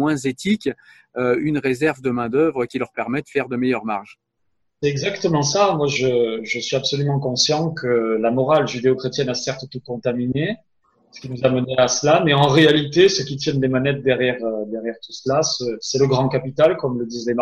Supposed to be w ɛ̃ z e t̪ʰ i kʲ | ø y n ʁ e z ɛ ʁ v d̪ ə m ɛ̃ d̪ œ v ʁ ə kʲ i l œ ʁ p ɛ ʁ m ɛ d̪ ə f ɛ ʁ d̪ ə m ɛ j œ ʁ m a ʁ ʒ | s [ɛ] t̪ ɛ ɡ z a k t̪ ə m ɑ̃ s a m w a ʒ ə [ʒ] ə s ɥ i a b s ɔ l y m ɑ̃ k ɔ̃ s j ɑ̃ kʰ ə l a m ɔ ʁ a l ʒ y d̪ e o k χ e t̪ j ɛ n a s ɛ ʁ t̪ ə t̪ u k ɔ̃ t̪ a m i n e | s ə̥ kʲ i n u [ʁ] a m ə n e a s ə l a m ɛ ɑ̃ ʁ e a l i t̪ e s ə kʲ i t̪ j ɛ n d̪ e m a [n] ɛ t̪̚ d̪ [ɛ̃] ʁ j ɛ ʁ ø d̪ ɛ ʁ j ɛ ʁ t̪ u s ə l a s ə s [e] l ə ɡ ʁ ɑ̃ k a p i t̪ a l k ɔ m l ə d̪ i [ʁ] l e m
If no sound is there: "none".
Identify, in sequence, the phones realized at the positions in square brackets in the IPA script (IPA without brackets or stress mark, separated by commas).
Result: ɛ, ʒ, z, n, ɛ, ɛ, z